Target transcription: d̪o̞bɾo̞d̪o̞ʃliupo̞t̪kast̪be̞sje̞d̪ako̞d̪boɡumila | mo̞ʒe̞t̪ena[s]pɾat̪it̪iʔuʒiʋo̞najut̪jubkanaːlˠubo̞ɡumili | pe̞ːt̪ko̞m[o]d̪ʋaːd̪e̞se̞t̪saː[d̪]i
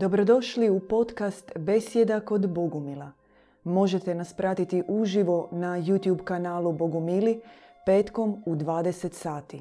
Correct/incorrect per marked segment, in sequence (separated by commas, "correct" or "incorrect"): correct, incorrect, incorrect